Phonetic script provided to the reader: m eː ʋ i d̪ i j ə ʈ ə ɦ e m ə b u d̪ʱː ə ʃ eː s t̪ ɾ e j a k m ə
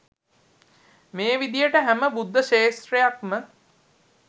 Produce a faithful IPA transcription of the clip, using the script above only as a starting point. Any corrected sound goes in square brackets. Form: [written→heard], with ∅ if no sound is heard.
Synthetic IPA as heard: m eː ʋ i d̪ i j ə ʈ ə ɦ [e→æ] m ə b u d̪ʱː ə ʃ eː s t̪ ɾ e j a k m ə